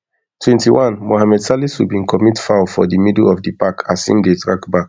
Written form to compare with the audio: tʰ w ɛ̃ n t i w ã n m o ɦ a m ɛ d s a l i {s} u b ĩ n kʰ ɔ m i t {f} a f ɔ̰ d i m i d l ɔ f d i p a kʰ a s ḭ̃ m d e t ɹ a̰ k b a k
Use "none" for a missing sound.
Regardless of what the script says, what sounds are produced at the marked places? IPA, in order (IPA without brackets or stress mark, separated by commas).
s, f